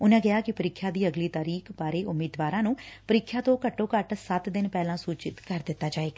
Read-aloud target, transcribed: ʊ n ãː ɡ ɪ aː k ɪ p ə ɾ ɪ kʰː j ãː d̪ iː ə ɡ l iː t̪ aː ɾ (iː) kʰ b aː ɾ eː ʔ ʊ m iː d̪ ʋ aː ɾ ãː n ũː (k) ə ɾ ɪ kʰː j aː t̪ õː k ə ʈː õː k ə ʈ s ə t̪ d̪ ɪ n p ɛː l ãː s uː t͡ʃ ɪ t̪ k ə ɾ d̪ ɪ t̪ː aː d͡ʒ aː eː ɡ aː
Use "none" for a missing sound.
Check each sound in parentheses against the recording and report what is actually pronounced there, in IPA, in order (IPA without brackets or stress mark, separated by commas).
iː, p